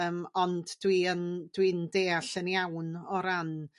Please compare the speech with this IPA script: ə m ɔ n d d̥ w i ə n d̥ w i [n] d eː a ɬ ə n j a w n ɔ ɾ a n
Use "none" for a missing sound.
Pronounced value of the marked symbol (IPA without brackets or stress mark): n